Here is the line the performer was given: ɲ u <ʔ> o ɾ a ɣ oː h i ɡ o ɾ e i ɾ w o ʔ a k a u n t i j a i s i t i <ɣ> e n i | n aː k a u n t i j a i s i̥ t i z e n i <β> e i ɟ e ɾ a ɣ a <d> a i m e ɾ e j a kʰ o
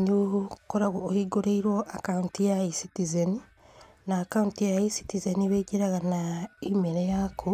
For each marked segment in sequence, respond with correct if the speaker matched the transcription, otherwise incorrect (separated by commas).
incorrect, incorrect, correct, incorrect